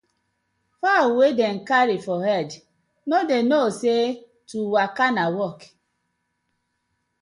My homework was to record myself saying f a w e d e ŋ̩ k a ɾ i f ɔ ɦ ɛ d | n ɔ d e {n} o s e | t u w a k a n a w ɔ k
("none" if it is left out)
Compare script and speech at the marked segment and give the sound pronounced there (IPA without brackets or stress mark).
n